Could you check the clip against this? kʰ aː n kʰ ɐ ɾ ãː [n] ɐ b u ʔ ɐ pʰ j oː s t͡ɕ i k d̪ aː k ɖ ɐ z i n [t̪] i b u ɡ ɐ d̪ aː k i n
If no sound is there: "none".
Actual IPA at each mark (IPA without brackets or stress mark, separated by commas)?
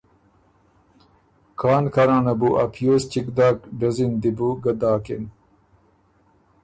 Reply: n, d̪